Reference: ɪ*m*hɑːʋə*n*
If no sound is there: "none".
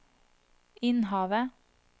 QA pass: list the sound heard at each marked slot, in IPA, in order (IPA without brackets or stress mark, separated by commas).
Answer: n, none